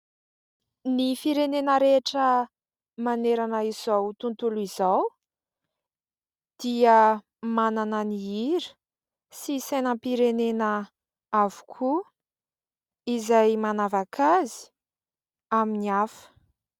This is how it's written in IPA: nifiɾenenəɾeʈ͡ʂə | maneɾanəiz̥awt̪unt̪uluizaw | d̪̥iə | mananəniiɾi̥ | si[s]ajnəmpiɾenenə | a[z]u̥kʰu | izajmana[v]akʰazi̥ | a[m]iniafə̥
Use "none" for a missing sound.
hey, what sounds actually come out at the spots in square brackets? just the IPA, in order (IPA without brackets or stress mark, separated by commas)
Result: s, v, v, m